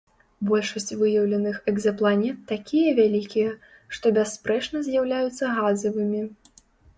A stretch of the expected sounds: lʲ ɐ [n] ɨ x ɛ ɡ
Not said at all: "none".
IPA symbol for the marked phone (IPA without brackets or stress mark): n